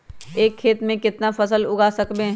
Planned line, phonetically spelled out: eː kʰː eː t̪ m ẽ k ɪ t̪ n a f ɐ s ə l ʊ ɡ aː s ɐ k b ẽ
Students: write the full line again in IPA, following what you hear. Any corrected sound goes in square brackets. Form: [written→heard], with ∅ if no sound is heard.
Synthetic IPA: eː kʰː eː t̪ m ẽ k ɪ t̪ n a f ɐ s ə l ʊ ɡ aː s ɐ k b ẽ